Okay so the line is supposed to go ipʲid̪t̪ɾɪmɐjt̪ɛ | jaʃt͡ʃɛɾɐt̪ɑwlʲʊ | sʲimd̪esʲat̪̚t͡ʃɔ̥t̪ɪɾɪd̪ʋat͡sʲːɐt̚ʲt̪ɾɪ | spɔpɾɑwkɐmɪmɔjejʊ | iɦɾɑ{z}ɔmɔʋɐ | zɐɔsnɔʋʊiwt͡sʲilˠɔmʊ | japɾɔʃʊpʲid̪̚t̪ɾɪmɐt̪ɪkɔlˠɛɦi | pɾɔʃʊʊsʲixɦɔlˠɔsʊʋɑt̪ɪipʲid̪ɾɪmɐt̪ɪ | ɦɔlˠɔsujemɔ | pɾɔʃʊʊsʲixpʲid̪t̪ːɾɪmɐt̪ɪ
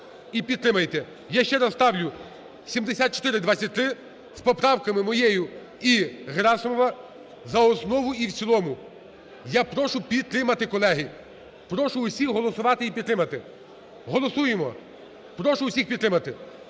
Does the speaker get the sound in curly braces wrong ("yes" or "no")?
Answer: yes